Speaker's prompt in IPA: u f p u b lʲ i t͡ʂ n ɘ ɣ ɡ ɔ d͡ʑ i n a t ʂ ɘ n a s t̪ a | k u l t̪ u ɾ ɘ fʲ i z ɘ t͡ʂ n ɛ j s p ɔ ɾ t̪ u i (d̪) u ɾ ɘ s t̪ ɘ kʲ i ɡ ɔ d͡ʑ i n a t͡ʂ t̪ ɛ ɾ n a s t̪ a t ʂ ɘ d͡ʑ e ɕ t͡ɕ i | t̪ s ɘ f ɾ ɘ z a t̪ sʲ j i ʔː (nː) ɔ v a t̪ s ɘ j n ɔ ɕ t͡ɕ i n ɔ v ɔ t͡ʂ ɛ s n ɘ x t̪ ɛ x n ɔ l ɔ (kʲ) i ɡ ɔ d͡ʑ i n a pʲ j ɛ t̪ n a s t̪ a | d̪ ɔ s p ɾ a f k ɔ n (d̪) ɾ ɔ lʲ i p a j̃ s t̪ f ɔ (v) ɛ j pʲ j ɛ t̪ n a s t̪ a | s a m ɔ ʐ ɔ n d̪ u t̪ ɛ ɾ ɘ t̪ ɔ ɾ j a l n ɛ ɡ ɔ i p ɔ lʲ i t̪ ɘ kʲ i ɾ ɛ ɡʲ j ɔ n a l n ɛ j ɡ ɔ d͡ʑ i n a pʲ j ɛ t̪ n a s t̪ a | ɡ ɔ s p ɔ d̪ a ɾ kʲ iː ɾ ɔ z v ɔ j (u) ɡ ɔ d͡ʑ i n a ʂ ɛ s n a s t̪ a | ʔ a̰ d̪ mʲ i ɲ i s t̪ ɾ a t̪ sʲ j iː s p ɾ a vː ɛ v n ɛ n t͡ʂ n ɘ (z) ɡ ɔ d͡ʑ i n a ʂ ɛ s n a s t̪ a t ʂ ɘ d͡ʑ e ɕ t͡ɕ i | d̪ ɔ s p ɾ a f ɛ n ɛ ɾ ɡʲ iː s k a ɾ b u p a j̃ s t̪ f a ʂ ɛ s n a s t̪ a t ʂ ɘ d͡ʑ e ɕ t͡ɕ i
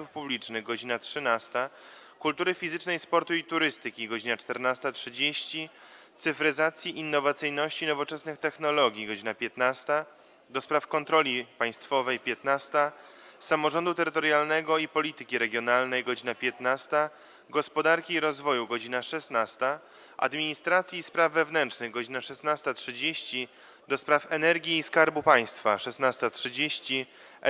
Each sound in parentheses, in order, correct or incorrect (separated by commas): incorrect, correct, incorrect, incorrect, correct, correct, incorrect